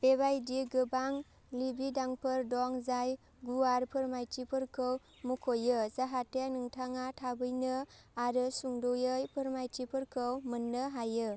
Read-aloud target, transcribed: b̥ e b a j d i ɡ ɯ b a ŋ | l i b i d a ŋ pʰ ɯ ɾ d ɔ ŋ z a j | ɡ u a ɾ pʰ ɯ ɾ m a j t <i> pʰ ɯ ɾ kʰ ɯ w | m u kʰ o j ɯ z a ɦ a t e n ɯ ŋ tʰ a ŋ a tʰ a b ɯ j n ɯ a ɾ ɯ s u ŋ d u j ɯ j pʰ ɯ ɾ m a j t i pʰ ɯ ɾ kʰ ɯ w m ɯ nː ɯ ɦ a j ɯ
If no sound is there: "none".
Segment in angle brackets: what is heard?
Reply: i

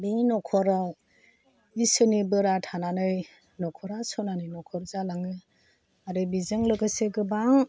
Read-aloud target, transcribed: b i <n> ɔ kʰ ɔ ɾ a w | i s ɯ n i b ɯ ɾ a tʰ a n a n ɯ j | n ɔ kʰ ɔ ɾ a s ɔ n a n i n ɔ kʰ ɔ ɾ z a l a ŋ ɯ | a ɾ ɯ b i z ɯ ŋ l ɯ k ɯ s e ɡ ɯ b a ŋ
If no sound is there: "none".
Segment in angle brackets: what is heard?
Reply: n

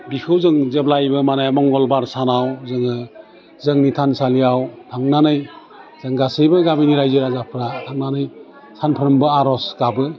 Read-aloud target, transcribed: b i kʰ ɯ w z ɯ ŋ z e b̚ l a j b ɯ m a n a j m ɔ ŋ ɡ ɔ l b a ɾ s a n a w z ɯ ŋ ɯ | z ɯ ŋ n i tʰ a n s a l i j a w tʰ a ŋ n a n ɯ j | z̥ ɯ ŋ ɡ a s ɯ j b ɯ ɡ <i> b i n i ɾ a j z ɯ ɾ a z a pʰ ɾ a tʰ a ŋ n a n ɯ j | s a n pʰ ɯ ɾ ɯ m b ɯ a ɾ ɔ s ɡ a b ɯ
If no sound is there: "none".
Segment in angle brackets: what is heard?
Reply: a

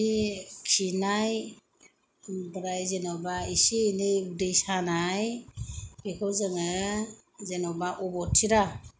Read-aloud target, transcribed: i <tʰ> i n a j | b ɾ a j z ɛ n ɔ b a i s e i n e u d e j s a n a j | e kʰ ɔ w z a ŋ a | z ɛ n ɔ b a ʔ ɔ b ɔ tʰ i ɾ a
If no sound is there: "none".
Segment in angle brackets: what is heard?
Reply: kʰ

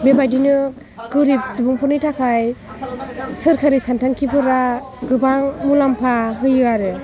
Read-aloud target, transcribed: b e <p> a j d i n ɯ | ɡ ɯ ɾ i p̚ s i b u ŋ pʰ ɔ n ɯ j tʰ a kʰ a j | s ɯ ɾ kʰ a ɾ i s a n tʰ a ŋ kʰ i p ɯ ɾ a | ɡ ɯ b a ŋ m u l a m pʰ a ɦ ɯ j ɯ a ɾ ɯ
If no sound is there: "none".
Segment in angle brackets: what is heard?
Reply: b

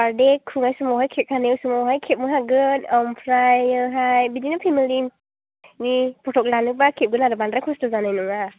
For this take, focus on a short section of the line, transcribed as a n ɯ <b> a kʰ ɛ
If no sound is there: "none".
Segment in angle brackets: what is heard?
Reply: b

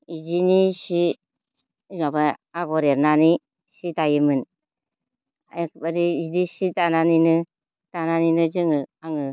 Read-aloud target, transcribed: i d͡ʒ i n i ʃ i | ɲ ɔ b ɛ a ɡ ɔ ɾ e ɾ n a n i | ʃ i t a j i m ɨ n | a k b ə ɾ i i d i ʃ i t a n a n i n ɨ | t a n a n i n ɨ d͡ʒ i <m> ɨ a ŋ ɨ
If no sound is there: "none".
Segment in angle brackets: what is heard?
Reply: ŋ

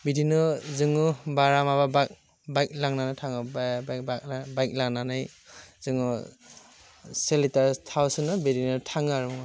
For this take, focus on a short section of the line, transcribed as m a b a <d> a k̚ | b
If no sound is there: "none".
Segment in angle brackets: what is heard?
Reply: b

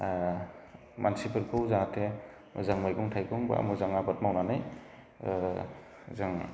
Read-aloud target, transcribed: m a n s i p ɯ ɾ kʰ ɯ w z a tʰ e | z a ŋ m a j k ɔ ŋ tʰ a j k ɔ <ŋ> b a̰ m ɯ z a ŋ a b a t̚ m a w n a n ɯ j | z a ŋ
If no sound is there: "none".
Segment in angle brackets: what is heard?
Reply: ŋ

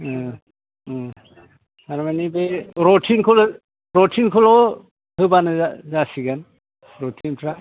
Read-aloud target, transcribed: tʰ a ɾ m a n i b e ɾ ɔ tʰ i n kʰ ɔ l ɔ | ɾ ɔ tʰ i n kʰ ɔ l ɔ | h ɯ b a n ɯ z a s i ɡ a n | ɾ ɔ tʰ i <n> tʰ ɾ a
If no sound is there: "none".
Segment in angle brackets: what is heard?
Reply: n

